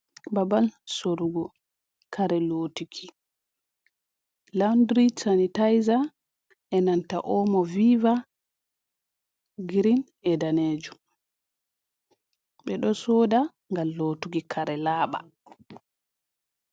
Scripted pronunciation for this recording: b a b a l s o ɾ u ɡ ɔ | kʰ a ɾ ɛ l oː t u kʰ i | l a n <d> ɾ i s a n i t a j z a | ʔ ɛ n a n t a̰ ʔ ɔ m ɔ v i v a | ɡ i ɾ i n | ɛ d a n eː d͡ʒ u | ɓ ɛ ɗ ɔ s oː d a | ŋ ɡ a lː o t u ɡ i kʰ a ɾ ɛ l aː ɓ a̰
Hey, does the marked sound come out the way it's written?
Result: yes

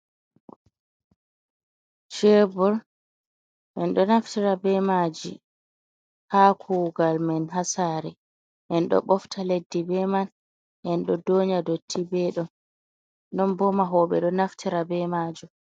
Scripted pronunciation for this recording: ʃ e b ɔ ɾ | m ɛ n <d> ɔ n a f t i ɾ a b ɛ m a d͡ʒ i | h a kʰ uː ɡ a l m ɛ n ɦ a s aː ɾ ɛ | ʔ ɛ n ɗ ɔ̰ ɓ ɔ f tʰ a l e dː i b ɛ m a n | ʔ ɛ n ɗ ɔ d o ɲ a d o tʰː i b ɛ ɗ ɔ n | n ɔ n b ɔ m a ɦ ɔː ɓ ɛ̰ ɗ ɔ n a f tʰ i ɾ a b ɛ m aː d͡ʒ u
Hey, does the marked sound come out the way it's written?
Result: no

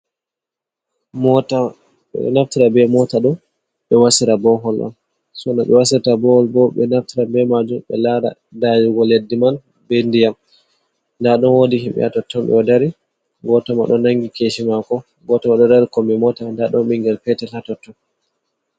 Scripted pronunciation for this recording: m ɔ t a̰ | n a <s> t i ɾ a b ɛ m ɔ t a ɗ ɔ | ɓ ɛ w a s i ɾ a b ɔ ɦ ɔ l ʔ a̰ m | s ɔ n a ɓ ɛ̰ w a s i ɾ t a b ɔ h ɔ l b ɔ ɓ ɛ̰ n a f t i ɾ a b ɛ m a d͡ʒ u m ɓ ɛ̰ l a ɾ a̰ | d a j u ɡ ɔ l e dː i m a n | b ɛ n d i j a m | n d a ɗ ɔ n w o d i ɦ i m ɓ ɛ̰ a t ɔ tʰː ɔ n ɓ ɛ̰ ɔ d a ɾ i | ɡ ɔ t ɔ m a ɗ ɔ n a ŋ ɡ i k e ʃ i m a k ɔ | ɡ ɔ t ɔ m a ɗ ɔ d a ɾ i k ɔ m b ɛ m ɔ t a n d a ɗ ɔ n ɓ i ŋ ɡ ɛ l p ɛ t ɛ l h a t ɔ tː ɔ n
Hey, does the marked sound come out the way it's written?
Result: no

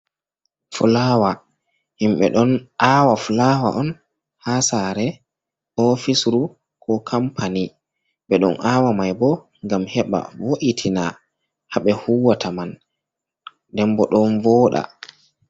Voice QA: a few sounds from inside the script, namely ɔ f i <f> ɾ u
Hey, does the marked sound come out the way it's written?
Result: no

